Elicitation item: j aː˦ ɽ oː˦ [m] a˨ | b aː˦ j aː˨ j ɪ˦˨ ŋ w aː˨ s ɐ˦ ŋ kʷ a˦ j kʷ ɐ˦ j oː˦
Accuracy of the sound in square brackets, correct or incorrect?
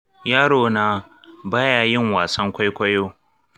incorrect: n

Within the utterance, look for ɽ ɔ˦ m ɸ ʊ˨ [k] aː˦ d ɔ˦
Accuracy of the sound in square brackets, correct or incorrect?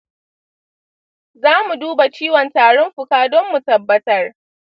correct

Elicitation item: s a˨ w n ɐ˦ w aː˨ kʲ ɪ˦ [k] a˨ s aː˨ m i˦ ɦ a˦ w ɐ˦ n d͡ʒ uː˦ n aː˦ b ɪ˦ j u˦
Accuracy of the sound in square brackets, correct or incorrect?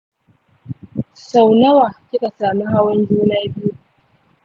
correct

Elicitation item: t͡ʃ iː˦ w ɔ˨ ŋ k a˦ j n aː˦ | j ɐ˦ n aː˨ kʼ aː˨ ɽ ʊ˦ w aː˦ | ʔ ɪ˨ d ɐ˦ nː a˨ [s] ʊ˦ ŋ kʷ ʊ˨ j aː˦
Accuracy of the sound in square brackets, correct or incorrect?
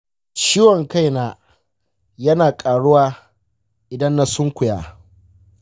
correct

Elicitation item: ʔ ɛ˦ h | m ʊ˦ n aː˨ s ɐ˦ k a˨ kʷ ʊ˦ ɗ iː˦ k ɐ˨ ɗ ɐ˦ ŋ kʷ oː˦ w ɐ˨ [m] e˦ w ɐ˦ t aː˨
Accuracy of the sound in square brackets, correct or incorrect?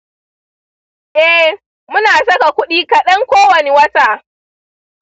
incorrect: n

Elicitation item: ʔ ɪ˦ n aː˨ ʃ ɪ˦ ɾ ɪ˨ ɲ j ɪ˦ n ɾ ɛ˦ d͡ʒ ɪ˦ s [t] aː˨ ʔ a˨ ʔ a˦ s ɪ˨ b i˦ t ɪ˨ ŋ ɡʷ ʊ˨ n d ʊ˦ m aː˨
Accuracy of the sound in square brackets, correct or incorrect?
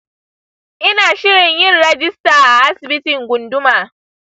correct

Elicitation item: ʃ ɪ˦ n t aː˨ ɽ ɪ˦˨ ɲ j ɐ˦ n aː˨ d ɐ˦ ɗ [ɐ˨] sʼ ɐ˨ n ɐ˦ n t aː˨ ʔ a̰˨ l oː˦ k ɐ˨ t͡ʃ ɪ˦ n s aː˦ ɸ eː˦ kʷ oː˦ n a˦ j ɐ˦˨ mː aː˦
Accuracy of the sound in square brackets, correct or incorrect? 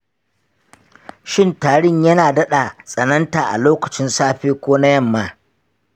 incorrect: a˨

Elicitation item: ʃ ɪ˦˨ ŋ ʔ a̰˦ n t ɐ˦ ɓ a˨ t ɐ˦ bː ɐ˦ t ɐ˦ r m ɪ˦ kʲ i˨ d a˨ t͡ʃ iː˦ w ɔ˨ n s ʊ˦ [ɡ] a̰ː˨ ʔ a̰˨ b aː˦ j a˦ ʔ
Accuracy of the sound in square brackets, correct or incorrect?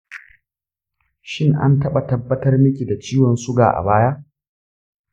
correct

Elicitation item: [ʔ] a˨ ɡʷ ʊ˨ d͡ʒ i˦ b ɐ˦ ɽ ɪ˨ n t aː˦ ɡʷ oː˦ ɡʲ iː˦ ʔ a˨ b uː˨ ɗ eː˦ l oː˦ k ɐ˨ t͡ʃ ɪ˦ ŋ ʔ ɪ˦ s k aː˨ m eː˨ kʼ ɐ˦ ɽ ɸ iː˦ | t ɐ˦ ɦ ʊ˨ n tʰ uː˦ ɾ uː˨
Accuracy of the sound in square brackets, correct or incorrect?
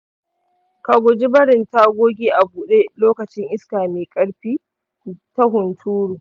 incorrect: k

